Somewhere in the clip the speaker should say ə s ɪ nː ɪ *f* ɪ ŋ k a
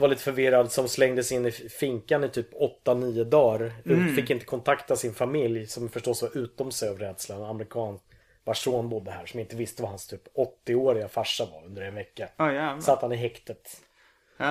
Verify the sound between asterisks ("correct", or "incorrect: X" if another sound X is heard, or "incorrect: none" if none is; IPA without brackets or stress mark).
correct